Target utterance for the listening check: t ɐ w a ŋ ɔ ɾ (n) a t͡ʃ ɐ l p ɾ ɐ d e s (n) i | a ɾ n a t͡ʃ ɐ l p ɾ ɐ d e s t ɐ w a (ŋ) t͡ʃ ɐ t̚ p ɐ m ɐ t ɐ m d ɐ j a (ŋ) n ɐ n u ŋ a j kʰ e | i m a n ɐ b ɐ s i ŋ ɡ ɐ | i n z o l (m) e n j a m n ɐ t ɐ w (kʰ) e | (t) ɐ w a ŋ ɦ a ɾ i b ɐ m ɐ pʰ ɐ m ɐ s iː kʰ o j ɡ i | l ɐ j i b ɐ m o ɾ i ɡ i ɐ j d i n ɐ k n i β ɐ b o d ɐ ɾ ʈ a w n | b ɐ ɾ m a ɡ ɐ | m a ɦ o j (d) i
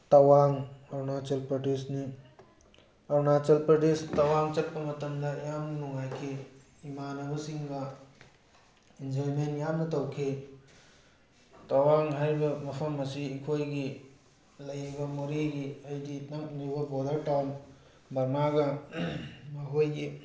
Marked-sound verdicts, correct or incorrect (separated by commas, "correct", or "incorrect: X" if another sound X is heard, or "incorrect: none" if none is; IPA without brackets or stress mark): correct, correct, correct, incorrect: m, correct, correct, correct, incorrect: ɡ